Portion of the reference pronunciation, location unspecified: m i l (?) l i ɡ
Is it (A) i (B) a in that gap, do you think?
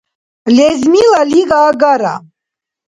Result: B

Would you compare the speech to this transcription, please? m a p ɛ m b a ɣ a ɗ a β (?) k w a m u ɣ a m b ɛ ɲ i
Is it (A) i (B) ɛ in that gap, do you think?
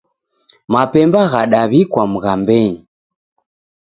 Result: A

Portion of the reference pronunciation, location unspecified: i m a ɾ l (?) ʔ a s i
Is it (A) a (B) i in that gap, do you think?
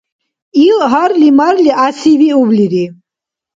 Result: B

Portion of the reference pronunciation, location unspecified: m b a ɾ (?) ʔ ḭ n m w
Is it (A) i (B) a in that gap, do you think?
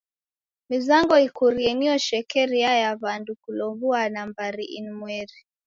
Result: A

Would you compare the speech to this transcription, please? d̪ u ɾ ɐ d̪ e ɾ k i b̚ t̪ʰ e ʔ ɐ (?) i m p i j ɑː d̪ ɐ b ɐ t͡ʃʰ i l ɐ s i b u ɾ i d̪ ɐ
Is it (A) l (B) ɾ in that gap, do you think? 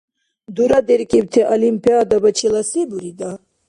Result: A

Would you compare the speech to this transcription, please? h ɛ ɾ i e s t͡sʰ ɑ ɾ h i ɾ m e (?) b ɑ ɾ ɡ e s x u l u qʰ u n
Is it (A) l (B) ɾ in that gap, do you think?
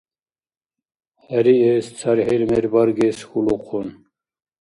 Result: B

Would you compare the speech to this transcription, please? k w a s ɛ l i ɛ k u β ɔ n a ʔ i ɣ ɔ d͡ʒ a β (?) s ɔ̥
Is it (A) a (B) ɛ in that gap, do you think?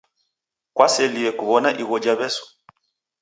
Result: B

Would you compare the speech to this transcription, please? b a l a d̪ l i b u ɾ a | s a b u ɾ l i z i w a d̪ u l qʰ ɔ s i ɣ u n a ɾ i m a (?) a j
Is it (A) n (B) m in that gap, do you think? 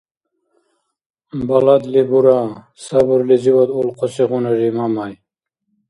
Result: B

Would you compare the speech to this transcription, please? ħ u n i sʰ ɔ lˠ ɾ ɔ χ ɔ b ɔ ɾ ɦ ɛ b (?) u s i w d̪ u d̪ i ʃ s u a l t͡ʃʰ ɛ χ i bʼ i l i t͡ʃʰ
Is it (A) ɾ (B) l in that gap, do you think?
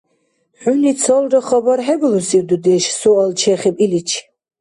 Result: B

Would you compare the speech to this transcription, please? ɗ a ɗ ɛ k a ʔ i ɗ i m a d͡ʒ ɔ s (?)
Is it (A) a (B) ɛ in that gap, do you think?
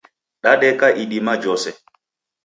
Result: B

